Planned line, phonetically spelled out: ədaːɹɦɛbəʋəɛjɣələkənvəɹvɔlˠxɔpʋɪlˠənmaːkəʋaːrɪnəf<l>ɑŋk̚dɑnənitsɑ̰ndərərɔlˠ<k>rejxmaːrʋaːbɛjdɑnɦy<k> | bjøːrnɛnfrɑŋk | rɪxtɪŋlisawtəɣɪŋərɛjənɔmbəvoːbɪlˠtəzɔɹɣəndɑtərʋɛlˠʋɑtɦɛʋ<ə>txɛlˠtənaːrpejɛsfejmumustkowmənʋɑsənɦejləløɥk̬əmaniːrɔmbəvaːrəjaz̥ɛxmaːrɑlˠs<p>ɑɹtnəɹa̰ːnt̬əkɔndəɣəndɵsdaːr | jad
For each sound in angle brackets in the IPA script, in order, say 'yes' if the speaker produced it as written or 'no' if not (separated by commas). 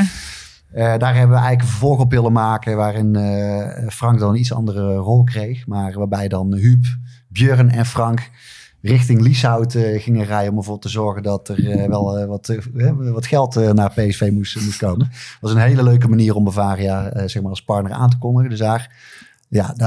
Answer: no, yes, no, no, yes